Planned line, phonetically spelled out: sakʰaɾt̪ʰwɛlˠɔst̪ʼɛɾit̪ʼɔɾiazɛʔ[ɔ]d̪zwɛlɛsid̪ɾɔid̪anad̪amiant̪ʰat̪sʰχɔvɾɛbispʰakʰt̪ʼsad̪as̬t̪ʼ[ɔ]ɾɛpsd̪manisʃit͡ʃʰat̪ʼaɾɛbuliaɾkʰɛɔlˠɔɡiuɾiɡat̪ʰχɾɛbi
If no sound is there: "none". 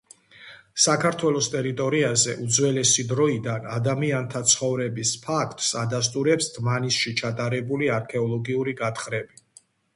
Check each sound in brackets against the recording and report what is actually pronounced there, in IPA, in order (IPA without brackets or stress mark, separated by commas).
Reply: u, u